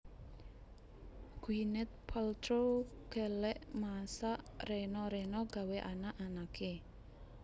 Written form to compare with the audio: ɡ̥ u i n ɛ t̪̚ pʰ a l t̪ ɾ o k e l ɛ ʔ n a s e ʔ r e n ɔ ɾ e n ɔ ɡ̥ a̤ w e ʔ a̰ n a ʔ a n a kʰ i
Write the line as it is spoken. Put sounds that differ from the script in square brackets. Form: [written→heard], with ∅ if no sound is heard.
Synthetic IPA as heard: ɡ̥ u i n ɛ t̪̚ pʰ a l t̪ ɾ o k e l ɛ ʔ [n→m] a s [e→a] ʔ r e n ɔ ɾ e n ɔ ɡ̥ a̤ w e ʔ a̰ n a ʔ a n a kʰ [i→e]